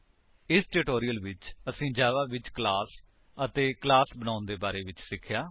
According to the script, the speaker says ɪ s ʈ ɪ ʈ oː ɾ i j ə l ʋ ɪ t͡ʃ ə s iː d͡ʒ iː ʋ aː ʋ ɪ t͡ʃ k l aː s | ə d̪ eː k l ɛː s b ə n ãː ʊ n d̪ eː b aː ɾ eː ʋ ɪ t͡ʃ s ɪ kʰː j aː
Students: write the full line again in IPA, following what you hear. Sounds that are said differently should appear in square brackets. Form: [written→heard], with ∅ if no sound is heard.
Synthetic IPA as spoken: ɪ s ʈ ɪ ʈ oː ɾ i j ə l ʋ ɪ t͡ʃ ə s [iː→ĩː] d͡ʒ [iː→aː] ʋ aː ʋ ɪ t͡ʃ k l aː s | ə [d̪→t̪] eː k l [ɛː→aː] s b ə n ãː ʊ n d̪ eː b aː ɾ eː ʋ ɪ t͡ʃ s ɪ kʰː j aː